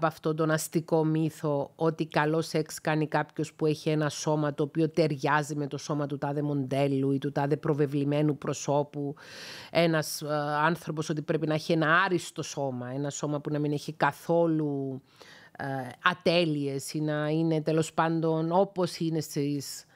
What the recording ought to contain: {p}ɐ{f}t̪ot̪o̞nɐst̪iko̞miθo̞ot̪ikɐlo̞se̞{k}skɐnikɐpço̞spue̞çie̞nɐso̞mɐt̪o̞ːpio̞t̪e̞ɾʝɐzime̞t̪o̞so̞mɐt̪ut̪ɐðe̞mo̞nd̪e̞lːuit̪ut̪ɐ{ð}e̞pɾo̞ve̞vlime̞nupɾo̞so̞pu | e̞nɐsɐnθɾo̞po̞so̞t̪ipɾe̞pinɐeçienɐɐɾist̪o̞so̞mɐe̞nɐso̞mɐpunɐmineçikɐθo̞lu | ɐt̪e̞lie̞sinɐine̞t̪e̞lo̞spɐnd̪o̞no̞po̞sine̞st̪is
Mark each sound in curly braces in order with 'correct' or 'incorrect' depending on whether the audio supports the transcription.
correct, correct, correct, correct

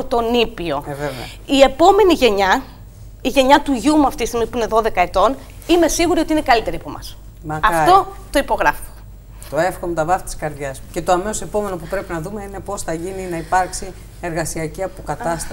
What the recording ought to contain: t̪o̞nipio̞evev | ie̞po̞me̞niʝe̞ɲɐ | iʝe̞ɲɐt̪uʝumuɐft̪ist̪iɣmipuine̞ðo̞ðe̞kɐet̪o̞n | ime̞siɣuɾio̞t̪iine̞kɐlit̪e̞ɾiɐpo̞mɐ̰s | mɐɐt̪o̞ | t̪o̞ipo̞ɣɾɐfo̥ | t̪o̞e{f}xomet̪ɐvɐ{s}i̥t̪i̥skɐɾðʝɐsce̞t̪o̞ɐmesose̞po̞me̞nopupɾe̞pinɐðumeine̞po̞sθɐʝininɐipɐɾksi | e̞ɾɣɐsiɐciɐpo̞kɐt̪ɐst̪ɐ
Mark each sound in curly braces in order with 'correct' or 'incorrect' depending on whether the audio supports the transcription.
correct, incorrect

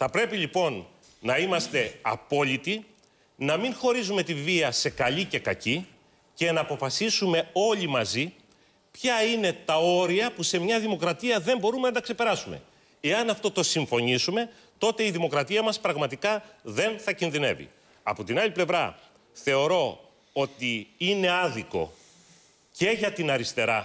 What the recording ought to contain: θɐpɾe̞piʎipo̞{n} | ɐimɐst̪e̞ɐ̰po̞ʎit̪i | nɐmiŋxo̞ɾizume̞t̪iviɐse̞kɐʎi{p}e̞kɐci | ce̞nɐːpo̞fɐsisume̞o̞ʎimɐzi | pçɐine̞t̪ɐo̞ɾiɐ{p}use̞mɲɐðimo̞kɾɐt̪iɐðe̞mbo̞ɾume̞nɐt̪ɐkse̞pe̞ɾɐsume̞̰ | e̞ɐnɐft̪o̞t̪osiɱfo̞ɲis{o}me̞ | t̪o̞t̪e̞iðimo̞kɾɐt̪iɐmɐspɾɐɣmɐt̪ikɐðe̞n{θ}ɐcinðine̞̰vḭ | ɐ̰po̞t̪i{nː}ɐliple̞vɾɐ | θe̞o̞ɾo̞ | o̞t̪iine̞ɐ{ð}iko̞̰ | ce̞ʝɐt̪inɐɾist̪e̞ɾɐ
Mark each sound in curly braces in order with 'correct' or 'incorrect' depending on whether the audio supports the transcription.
incorrect, incorrect, correct, incorrect, correct, incorrect, correct

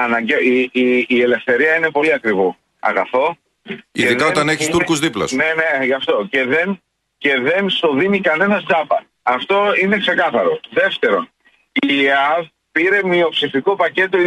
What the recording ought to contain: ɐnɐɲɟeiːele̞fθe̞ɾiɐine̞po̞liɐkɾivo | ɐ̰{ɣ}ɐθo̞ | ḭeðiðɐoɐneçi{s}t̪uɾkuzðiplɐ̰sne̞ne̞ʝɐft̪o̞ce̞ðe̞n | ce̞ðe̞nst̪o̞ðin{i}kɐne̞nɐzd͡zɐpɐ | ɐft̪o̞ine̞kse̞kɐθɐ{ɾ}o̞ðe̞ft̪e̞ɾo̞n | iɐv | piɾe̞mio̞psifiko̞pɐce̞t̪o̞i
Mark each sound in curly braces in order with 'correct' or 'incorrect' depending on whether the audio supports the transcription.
correct, correct, correct, correct

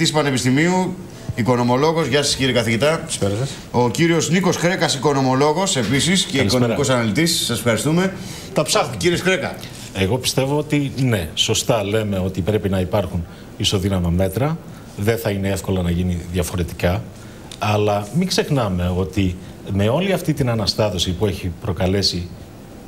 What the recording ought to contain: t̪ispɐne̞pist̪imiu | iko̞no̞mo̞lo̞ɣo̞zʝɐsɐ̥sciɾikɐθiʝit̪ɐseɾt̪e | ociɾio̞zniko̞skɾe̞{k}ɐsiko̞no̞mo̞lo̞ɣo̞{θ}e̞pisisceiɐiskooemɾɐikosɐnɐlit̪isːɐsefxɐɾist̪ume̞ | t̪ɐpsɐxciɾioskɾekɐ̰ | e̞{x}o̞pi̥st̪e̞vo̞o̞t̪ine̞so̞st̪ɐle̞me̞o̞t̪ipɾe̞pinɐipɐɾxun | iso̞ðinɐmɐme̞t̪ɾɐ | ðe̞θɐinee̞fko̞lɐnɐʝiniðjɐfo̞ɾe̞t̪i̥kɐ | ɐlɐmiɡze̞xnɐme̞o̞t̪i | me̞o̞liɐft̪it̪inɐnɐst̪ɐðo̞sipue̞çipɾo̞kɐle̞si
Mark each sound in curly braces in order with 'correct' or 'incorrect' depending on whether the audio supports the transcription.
correct, incorrect, incorrect

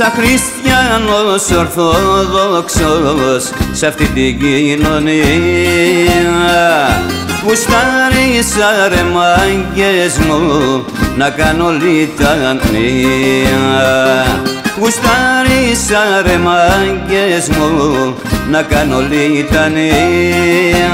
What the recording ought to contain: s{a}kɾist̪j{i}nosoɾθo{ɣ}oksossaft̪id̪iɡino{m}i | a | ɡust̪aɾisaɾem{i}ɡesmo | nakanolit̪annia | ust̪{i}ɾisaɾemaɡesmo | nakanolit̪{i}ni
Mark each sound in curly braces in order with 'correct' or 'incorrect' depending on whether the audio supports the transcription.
correct, incorrect, incorrect, incorrect, incorrect, incorrect, incorrect

